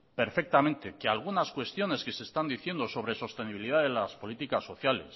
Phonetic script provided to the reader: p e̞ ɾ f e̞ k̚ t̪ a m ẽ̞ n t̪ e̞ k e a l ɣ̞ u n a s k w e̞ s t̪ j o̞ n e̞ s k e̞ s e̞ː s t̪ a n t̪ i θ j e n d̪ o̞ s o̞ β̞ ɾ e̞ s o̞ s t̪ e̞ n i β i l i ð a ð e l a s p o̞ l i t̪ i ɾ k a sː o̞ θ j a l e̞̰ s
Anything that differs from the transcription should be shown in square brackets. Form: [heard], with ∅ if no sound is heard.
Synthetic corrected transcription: p e̞ ɾ f e̞ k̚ t̪ a m ẽ̞ n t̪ e̞ k e a l ɣ̞ u n a s k w e̞ s t̪ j o̞ n e̞ s k e̞ s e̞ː s t̪ a n [d̪] i θ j e n d̪ o̞ s o̞ β̞ ɾ e̞ s o̞ s t̪ e̞ n i β i l i ð a ð e l a s p o̞ l i t̪ i [∅] k a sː o̞ θ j a l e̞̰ s